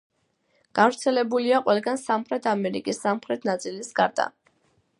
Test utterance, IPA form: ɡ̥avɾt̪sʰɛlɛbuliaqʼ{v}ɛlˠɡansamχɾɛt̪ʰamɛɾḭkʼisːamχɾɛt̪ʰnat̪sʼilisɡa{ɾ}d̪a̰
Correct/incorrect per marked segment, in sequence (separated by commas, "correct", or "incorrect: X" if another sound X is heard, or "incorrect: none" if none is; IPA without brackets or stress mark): incorrect: w, correct